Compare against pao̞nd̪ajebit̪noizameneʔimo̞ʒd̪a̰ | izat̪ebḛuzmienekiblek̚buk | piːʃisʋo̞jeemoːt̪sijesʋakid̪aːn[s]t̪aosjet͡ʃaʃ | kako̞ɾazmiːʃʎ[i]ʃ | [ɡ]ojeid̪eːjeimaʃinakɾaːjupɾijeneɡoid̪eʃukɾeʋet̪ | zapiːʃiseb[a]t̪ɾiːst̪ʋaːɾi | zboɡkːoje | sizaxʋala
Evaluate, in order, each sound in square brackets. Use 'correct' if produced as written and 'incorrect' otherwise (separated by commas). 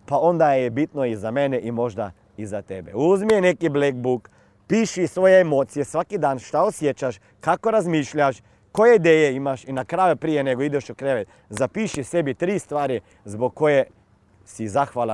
incorrect, incorrect, incorrect, incorrect